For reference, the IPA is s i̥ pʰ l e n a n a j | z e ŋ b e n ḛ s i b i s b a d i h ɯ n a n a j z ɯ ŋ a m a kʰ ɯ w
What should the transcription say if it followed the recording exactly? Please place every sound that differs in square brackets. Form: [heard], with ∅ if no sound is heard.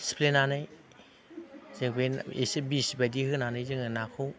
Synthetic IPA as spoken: s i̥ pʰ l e n a n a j | z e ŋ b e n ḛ s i b i s b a d i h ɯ n a n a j z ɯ ŋ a [n] a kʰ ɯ w